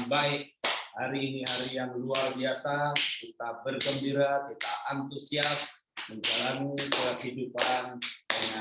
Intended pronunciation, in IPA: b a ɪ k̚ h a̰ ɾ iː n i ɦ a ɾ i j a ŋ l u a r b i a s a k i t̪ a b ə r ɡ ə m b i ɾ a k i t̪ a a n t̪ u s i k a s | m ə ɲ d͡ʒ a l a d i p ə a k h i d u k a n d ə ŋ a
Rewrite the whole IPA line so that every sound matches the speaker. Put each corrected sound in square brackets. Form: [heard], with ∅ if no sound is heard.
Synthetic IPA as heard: b a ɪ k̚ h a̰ ɾ iː n i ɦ a ɾ i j a ŋ l u a r b i a s a k i t̪ a b ə r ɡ ə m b i ɾ a k i t̪ a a n t̪ u s i [∅] a s | m ə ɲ d͡ʒ a l a [n] i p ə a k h i d u [p] a n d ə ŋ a